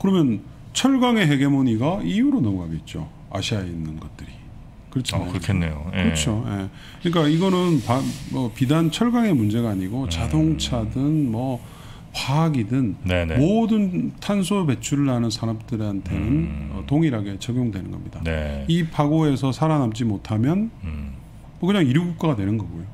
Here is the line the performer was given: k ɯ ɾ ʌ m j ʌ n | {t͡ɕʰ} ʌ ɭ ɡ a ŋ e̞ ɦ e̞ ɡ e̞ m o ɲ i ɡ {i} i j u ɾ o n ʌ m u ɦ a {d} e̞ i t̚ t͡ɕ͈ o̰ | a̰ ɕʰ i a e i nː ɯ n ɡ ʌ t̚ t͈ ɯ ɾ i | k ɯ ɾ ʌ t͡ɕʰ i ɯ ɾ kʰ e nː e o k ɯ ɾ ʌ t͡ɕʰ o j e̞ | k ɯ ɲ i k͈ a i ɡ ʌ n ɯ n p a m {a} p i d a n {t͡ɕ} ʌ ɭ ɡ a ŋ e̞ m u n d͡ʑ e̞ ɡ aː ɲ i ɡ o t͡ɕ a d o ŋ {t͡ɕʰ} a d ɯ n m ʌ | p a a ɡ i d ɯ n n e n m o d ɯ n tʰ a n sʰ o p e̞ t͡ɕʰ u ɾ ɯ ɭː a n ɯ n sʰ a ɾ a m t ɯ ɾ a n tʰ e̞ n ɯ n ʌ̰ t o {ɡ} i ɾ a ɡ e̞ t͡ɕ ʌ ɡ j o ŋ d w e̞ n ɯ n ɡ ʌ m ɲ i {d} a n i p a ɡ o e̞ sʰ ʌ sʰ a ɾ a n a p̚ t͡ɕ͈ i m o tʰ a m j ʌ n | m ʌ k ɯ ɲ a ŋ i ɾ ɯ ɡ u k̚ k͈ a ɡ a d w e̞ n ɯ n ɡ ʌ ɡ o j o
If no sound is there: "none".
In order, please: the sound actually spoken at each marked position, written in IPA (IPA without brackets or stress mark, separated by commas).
t͡ɕʰ, a, ɡ, ʌ, t͡ɕʰ, t͡ɕʰ, ŋ, d